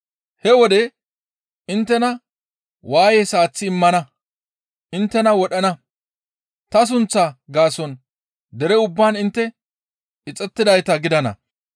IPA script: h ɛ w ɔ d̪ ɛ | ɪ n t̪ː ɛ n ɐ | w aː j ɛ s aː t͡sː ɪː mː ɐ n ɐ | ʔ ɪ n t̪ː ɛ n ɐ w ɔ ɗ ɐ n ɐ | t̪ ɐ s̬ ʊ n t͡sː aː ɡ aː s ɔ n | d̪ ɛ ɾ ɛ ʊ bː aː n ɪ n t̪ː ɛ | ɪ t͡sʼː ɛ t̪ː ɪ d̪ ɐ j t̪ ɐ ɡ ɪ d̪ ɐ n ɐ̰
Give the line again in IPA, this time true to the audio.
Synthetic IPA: h ɛ w ɔ d̪ ɛ | ɪ n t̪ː ɛ n ɐ | w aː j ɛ s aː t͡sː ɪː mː ɐ n ɐ | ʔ ɪ n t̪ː ɛ n ɐ w ɔ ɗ ɐ n ɐ | t̪ ɐ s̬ ʊ n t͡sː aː ɡ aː s ɔ n | d̪ ɛ ɾ ɛ ʊ bː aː n ɪ n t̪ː ɛ | ɪ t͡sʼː ɛ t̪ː ɪ d̪ ɐ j t̪ ɐ ɡ ɪ d̪ ɐ n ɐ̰

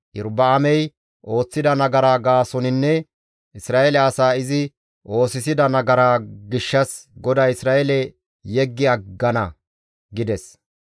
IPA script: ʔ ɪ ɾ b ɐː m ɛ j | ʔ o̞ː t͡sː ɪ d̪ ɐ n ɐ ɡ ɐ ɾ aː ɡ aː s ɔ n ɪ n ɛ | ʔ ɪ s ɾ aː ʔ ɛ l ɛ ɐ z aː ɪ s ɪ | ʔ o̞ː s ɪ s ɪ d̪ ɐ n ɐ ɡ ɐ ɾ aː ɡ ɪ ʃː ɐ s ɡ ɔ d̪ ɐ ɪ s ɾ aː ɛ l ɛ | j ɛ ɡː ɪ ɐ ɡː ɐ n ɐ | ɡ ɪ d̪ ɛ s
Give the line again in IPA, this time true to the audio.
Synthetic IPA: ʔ ɪ ɾ b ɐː m ɛ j | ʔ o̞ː t͡sː ɪ d̪ ɐ n ɐ ɡ ɐ ɾ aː ɡ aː s ɔ n ɪ nː ɛ | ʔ ɪ s ɾ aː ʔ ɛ l ɛ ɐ s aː ɪ z ɪ | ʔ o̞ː s ɪ s ɪ d̪ ɐ n ɐ ɡ ɐ ɾ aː ɡ ɪ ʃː ɐ s ɡ ɔ d̪ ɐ ɪ s ɾ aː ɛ l ɛ | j ɛ ɡː ɪ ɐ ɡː ɐ n ɐ | ɡ ɪ d̪ ɛ s

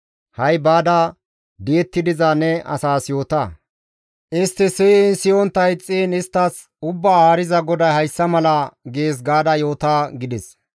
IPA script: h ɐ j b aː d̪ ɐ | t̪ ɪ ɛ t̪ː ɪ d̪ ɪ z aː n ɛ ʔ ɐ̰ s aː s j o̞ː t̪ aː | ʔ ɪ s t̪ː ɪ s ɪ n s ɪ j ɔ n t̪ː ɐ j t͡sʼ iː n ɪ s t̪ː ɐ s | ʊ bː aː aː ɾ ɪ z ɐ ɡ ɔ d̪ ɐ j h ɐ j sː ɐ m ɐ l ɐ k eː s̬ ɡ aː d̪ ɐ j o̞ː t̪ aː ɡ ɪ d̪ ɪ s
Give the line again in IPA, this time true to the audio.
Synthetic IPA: h ɐ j b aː d̪ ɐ | d̪ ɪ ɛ t̪ː ɪ d̪ ɪ z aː n ɛ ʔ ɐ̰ s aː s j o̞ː t̪ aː | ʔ ɪ s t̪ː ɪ s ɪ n s ɪ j ɔ n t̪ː ɐ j t͡sʼ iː n ɪ s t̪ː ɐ s | ʊ bː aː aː ɾ ɪ z ɐ ɡ ɔ d̪ ɐ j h ɐ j sː ɐ m ɐ l ɐ ɡ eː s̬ ɡ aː d̪ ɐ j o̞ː t̪ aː ɡ ɪ d̪ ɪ s

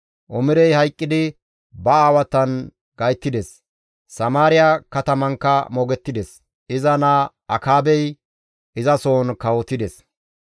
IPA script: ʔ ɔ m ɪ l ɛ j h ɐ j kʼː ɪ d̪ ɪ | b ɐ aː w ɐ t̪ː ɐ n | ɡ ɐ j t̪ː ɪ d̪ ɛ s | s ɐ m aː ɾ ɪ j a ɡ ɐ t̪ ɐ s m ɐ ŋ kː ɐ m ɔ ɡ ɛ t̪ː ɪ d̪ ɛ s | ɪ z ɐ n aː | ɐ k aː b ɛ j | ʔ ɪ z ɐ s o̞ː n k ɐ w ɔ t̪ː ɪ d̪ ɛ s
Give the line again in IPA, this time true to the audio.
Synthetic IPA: ʔ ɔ m ɪ ɾ ɛ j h ɐ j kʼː ɪ d̪ ɪ | b ɐ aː w ɐ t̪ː ɐ n | ɡ ɐ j t̪ː ɪ d̪ ɛ s | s ɐ m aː ɾ ɪ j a k ɐ t̪ ɐ m ɐ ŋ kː ɐ m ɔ ɡ ɛ t̪ː ɪ d̪ ɛ s | ɪ z ɐ n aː | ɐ k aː b ɛ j | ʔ ɪ z ɐ s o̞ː n k ɐ w ɔ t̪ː ɪ d̪ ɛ s

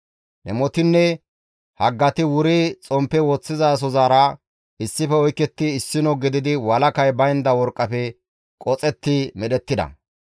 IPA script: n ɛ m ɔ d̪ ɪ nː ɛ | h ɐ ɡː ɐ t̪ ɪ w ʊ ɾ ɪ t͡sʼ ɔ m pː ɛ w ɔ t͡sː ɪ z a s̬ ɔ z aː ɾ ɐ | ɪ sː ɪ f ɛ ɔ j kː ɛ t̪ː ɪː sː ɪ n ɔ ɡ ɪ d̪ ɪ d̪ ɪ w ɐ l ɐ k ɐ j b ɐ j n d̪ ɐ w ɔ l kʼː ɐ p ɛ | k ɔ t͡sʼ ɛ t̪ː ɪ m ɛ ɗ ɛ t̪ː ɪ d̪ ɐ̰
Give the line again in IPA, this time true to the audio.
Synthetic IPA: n ɛ m ɔ t̪ ɪ nː ɛ | h ɐ ɡː ɐ t̪ ɪ w ʊ ɾ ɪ t͡sʼ ɔ m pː ɛ w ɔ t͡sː ɪ z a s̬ ɔ z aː ɾ ɐ | ɪ sː ɪ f ɛ ɔ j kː ɛ t̪ː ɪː sː ɪ n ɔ ɡ ɪ d̪ ɪ d̪ ɪ w ɐ l ɐ k ɐ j b ɐ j n d̪ ɐ w ɔ ɾ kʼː ɐ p ɛ | kʼ ɔ t͡sʼ ɛ t̪ː ɪ m ɛ ɗ ɛ t̪ː ɪ d̪ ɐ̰

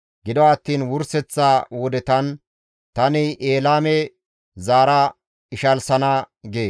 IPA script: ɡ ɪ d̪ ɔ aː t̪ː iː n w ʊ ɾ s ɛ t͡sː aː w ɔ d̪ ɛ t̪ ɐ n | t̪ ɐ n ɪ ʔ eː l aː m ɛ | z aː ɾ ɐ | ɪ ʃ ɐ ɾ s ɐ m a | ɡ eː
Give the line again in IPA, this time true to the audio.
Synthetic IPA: ɡ ɪ d̪ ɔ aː t̪ː iː n w ʊ ɾ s ɛ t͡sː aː w ɔ d̪ ɛ t̪ ɐ n | t̪ ɐ n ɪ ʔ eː l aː m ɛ | z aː ɾ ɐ | ɪ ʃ ɐ l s ɐ n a | ɡ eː

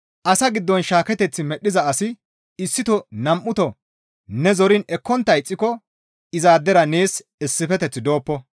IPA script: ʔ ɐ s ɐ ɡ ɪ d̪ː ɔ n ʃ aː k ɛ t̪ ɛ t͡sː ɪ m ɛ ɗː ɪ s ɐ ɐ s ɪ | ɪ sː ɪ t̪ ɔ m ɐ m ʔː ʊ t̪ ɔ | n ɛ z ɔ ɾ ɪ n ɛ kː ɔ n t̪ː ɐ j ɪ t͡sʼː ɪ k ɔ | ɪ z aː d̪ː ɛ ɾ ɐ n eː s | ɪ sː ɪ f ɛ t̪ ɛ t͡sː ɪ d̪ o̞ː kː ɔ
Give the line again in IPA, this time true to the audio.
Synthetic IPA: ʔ ɐ s ɐ ɡ ɪ d̪ː ɔ n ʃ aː k ɛ t̪ ɛ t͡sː ɪ m ɛ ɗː ɪ z ɐ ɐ s ɪ | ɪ sː ɪ t̪ ɔ n ɐ m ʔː ʊ t̪ ɔ | n ɛ z ɔ ɾ ɪ n ɛ kː ɔ n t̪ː ɐ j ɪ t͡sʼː ɪ k ɔ | ɪ z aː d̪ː ɛ ɾ ɐ n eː s | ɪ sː ɪ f ɛ t̪ ɛ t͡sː ɪ d̪ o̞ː pː ɔ

